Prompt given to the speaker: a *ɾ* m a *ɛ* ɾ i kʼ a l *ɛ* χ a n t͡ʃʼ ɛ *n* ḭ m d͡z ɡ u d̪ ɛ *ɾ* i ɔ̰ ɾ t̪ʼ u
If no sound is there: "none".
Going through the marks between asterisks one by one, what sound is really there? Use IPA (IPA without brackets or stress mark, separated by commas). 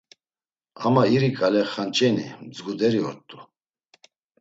none, i, ɛ, n, ɾ